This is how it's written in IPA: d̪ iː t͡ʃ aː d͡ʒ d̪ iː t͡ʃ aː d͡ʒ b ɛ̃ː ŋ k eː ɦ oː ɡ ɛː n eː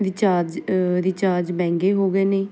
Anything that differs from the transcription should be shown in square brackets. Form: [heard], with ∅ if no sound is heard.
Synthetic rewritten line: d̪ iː t͡ʃ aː d͡ʒ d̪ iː t͡ʃ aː d͡ʒ b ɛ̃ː ŋ [ɡ] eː ɦ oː ɡ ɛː n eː